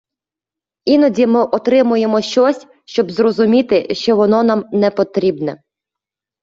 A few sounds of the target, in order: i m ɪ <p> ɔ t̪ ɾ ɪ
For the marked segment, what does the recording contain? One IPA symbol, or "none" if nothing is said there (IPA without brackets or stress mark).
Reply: ʔ